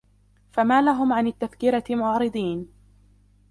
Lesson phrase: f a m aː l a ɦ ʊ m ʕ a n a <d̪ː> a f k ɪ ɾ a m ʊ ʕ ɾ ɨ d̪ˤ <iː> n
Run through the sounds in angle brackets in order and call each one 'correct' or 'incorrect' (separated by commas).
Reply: incorrect, correct